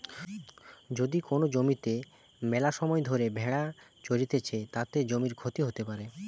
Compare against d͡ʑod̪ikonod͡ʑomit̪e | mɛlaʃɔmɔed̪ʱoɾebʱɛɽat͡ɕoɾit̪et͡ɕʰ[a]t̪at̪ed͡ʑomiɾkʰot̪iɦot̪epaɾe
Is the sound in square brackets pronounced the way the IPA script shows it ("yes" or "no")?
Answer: no